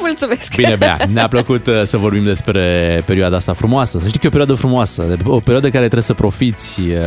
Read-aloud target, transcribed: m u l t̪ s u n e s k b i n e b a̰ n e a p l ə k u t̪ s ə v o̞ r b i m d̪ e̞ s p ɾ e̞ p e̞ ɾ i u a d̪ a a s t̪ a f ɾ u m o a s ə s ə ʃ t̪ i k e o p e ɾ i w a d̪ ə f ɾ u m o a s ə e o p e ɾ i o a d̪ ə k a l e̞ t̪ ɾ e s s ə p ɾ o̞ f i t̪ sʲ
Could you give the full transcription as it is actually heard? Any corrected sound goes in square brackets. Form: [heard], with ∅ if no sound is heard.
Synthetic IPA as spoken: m u l t̪ s u [m] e s k b i n e b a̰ n e a p l ə k u t̪ s ə v o̞ r b i m d̪ e̞ s p ɾ e̞ p e̞ ɾ i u a d̪ a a s t̪ a f ɾ u m o a s ə s ə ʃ t̪ i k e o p e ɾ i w a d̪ ə f ɾ u m o a s ə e o p e ɾ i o a d̪ ə k a [ɾ] e̞ t̪ ɾ e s s ə p ɾ o̞ f i t̪ sʲ